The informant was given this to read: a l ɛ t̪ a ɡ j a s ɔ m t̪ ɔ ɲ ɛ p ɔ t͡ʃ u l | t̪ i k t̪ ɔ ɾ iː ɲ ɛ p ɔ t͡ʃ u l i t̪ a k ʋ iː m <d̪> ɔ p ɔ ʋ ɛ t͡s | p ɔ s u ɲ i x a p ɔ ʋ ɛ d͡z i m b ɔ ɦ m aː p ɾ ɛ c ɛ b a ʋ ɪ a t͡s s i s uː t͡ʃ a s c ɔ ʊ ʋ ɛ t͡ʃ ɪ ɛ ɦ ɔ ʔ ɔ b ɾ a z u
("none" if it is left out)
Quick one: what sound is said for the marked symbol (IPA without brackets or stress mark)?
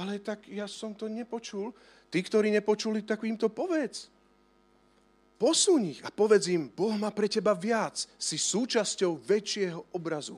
t̪